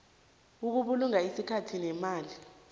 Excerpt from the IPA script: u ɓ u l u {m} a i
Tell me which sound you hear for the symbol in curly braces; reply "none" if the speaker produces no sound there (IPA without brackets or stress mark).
ŋ